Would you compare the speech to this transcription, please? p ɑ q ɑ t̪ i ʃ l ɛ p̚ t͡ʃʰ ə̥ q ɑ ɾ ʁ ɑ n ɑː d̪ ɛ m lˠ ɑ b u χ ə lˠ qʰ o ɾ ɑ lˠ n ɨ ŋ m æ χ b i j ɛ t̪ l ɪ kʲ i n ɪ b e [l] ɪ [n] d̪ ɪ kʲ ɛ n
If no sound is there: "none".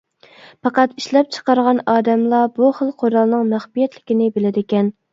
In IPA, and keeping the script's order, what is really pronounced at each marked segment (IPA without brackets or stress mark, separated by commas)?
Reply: l, none